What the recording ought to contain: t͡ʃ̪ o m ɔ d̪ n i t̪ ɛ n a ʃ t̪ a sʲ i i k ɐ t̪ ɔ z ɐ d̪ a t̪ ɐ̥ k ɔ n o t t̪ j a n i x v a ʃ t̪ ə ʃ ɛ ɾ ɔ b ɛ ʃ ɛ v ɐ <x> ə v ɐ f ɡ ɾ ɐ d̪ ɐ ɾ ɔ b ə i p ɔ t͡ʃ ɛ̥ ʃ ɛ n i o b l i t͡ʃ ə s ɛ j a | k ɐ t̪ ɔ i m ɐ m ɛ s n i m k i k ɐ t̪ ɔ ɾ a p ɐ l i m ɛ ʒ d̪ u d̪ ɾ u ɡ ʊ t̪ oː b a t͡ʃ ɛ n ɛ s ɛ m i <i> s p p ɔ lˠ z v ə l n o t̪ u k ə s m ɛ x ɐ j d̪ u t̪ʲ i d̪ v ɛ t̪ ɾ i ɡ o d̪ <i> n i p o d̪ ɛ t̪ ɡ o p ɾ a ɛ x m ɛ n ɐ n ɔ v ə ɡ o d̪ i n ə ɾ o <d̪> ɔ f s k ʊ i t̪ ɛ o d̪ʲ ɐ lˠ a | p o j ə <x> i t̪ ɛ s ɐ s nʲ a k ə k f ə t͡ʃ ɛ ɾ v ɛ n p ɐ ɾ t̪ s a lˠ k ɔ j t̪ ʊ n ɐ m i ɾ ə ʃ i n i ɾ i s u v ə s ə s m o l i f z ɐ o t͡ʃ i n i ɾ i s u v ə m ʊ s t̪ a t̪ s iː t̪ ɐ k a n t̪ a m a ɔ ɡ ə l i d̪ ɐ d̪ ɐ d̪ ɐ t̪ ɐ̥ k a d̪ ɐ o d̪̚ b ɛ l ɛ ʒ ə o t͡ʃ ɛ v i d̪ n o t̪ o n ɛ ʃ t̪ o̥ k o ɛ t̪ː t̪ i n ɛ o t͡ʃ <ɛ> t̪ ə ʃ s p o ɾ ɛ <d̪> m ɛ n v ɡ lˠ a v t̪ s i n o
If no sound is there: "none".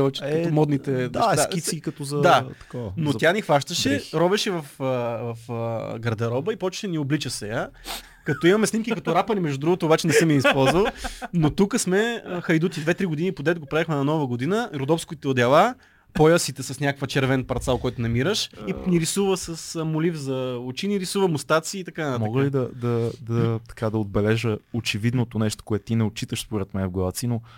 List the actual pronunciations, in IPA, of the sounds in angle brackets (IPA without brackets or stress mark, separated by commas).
f, i, i, d̪, s, i, t̪